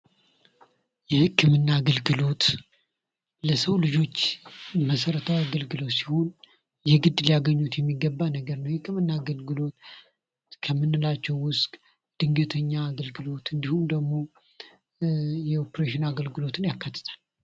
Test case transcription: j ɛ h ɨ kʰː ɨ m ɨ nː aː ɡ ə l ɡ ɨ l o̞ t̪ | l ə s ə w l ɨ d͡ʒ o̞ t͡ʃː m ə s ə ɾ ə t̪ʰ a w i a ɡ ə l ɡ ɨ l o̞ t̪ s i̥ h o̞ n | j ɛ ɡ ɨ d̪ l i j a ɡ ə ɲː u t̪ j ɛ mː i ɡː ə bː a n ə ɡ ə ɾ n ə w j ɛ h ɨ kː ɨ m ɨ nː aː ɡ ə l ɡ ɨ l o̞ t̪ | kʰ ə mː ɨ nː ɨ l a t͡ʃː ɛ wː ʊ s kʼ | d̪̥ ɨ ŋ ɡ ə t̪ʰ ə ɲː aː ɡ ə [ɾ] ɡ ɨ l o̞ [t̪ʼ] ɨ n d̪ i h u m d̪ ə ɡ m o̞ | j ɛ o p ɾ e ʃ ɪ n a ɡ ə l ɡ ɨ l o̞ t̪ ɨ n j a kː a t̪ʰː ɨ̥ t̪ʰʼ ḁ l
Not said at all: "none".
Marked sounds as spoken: l, t̪

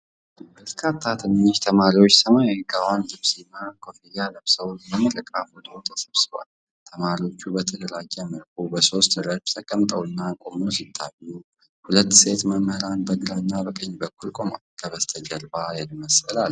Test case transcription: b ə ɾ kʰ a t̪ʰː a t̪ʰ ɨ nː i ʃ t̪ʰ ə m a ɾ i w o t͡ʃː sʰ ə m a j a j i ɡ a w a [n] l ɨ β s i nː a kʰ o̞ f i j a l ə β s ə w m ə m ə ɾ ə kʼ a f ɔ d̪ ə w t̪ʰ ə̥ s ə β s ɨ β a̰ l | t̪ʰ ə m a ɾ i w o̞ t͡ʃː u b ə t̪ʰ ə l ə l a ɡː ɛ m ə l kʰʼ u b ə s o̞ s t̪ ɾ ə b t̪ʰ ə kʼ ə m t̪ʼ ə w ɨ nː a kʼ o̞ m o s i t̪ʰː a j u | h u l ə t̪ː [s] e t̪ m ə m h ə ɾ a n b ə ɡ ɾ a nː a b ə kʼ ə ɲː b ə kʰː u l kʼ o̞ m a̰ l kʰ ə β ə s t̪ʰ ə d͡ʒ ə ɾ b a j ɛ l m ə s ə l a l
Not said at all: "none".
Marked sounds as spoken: n, s

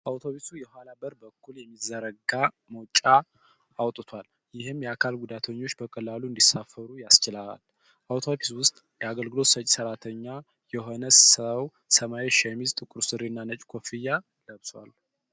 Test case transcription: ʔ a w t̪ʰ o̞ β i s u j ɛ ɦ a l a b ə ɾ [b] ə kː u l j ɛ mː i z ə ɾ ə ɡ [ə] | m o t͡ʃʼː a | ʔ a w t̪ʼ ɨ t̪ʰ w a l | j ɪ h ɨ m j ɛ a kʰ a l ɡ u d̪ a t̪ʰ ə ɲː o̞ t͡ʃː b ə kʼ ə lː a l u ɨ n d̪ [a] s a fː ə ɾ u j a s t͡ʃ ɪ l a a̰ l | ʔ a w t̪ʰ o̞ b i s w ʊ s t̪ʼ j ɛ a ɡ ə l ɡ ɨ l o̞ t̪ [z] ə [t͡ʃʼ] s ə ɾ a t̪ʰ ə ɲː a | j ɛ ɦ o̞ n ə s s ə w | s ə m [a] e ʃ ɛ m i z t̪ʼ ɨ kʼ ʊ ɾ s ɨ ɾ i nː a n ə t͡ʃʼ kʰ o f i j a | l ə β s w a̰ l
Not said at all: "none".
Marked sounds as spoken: b, a, i, s, t͡ʃʼ, a

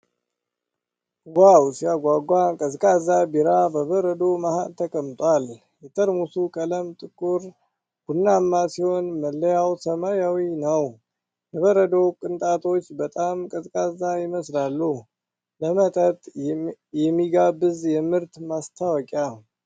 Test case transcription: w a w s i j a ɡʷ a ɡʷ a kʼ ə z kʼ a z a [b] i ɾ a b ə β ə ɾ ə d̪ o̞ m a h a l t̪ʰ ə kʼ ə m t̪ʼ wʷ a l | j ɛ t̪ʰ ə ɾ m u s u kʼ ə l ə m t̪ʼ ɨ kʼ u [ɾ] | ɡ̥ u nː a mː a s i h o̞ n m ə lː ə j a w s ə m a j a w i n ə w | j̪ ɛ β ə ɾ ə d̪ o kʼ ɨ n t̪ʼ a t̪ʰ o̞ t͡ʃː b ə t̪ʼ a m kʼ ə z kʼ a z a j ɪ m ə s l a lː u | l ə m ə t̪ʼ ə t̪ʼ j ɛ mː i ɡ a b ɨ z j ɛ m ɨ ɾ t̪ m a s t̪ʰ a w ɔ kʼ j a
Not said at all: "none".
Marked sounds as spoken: b, ɾ

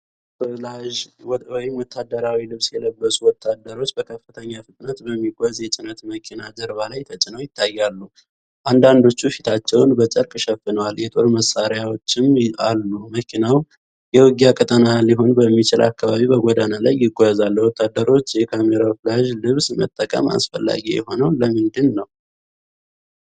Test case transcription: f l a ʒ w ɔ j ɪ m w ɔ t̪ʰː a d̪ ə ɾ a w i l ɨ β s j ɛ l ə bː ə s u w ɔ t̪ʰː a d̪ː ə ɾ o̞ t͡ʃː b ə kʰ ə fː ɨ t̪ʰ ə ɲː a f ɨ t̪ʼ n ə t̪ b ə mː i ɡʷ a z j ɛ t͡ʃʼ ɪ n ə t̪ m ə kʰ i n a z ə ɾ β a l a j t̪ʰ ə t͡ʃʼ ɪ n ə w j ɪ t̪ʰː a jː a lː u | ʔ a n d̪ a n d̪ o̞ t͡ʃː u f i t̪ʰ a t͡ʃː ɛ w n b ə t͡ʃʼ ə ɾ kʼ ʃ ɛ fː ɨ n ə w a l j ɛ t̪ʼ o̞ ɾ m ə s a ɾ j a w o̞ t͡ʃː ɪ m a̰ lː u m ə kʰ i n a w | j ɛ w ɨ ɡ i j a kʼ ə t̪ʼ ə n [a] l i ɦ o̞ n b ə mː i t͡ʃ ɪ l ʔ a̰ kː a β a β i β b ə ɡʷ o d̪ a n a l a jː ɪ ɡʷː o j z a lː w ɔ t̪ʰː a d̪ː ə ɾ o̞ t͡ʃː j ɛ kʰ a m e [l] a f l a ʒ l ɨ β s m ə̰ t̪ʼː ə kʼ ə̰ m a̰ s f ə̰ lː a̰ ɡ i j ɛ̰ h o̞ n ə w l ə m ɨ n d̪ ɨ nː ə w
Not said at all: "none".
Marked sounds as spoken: a, ɾ

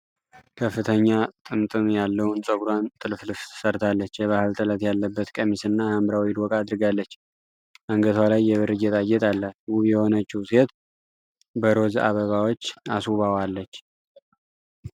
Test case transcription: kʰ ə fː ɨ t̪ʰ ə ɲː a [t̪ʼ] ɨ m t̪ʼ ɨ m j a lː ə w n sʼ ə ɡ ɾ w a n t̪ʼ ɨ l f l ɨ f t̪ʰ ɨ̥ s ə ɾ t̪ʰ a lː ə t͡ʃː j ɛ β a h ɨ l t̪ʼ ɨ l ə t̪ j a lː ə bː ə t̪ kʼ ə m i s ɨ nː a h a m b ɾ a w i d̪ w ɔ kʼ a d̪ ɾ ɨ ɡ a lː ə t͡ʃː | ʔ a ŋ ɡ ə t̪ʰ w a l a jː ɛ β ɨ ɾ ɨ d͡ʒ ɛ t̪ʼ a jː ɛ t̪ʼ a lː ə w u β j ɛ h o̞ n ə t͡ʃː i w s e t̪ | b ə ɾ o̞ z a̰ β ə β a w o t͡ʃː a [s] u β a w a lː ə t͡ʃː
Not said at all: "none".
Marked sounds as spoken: t̪ʼ, s

